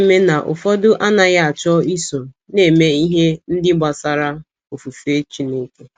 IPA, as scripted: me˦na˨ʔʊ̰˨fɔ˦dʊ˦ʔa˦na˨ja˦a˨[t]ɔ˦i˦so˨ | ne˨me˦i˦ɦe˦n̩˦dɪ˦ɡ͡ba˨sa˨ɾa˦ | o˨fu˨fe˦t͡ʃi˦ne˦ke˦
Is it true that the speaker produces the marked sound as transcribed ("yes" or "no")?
no